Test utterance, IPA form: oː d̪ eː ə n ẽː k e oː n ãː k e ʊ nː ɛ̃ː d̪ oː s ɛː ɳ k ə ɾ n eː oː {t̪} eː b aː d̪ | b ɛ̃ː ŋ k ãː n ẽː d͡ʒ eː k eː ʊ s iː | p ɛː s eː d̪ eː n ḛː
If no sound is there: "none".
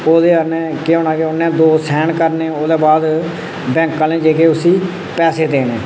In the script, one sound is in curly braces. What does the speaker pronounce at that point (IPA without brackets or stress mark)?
d̪